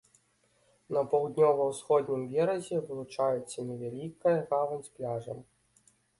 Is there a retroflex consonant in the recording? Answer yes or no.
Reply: yes